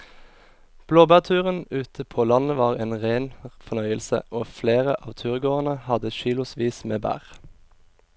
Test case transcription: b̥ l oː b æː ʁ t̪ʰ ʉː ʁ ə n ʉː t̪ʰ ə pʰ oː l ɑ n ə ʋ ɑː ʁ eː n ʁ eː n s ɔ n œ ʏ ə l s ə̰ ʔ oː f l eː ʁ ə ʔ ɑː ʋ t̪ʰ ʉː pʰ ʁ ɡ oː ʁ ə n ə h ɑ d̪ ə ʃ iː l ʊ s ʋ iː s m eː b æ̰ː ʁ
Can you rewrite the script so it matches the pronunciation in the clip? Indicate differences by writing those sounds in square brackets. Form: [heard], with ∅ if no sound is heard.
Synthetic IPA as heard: b̥ l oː b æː ʁ t̪ʰ ʉː ʁ ə n ʉː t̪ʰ ə pʰ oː l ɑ n ə ʋ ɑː ʁ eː n ʁ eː n [f] ɔ n œ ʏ ə l s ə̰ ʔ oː f l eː ʁ ə ʔ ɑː ʋ t̪ʰ ʉː [∅] ʁ ɡ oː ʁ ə n ə h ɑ d̪ ə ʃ iː l ʊ s ʋ iː s m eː b æ̰ː ʁ